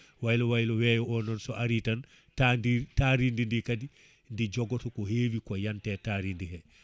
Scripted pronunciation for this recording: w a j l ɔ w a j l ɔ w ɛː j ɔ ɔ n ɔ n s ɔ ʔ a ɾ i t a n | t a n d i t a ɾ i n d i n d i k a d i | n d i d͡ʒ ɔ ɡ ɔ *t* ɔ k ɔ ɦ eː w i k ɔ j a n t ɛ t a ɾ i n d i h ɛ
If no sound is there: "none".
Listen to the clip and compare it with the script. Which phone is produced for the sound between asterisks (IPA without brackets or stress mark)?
t